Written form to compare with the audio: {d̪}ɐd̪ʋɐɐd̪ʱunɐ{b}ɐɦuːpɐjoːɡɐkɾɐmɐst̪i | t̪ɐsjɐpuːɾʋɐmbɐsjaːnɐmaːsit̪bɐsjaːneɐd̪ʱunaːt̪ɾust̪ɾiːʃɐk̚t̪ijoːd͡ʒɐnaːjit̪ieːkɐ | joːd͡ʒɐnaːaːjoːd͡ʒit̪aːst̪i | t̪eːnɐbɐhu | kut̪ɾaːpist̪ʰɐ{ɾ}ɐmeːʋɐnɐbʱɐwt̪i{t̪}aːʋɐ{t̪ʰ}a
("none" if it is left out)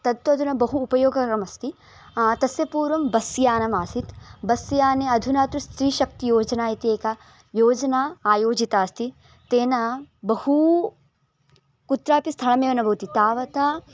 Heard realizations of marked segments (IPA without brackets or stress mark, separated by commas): t̪, b, ɭ, t̪, t̪